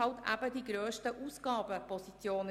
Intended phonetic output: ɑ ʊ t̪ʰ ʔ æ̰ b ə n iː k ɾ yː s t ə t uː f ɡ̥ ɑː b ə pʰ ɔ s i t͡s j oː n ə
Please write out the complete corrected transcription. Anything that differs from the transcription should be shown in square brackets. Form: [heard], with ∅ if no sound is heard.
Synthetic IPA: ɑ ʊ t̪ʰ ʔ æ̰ b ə [d] iː [ɡ] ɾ [øː] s t ə [ʔ] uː [s] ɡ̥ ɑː b ə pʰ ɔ s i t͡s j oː n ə

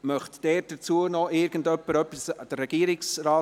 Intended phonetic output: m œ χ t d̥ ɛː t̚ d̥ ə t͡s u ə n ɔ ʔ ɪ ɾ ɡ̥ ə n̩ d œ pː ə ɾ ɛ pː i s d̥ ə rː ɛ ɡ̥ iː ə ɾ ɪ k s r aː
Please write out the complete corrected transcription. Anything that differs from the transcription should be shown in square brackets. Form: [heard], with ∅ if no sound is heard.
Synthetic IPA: m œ χ t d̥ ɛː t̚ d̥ ə t͡s u ə n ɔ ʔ ɪ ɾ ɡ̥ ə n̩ d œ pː ə ɾ [œ] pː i s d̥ ə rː ɛ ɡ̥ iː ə ɾ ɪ k s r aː

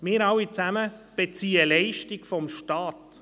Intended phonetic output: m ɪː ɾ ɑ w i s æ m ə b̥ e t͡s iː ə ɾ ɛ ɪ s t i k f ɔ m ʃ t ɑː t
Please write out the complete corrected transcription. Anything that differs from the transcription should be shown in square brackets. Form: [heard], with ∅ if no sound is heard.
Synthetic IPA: m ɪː ɾ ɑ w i [t͡s] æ m ə b̥ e t͡s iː ə [l] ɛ ɪ [ʃ] t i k f ɔ m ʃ t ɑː t

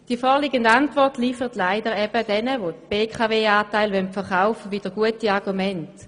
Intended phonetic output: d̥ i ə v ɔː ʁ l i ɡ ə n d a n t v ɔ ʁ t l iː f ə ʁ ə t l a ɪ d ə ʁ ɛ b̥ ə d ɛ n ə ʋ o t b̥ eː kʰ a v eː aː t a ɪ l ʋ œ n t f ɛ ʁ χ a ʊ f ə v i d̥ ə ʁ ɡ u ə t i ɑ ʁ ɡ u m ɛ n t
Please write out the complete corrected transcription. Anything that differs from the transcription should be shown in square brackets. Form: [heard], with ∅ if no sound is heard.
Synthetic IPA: d̥ i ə [f] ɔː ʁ l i ɡ ə n d a n t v ɔ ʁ t l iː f ə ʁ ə t l a ɪ d ə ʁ ɛ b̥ ə d ɛ n ə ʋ o t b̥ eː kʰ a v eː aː t a ɪ l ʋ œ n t f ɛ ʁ χ a ʊ f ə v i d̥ ə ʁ ɡ u ə t i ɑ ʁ ɡ u m ɛ n t

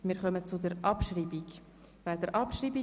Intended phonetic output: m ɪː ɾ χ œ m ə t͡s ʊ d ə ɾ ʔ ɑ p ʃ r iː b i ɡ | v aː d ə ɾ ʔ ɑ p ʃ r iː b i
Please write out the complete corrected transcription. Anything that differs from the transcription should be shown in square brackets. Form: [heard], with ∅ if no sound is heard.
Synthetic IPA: m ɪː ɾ χ œ m ə t͡s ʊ d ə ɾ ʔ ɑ p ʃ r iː b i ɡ | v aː d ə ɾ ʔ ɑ p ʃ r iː b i

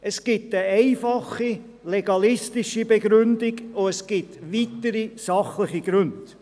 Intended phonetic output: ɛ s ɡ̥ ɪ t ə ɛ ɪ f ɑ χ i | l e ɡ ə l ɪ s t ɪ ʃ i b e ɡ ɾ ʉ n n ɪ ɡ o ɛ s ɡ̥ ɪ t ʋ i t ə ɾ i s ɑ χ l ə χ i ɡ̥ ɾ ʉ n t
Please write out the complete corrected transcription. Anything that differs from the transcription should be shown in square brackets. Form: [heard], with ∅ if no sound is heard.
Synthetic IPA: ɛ s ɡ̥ ɪ t ə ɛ ɪ f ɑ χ i | l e ɡ [ɑ] l ɪ s t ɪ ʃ i b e ɡ ɾ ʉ n [d] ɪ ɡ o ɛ s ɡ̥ ɪ t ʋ i t ə ɾ i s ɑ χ l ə χ i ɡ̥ ɾ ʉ n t

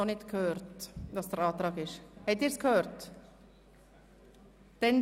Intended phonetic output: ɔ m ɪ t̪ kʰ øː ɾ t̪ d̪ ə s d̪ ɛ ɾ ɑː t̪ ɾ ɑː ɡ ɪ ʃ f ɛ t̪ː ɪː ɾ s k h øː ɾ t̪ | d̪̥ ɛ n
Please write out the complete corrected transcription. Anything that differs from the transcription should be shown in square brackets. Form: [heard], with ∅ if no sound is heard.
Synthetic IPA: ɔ [n] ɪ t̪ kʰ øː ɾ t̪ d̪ [ɑ] s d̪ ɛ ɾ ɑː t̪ ɾ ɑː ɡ ɪ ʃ [h] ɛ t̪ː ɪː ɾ s k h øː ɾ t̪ | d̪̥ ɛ n

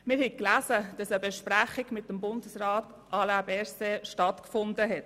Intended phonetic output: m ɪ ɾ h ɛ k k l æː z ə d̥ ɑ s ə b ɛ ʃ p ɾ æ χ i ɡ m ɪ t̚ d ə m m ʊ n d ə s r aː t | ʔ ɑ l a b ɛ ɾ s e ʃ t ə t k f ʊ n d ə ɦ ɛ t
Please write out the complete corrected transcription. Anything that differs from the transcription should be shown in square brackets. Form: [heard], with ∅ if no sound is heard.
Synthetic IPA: m ɪ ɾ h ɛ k k l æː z ə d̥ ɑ s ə b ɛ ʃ p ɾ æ χ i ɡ m ɪ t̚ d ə m [b] ʊ n d ə s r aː t | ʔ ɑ l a b ɛ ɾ s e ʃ t [ɑ] t k f ʊ n d ə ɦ ɛ t

